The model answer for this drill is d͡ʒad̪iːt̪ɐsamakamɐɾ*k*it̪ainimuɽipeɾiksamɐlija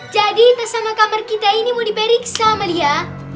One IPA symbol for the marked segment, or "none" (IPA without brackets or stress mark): k